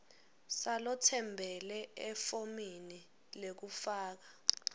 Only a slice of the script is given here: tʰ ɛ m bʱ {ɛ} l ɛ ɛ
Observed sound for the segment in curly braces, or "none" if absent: ɛ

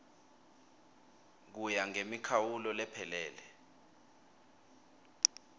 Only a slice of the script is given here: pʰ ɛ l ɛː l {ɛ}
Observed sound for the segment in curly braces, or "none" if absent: ɛ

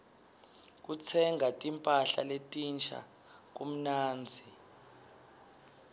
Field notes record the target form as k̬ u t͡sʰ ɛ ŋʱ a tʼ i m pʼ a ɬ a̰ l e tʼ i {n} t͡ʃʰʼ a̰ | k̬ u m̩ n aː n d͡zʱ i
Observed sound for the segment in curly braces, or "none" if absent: n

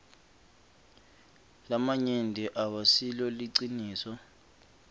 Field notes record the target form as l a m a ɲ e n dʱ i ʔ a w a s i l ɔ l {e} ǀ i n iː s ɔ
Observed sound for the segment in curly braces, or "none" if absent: i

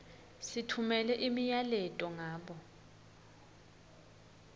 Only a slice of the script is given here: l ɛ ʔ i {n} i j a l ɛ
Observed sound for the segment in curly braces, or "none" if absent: m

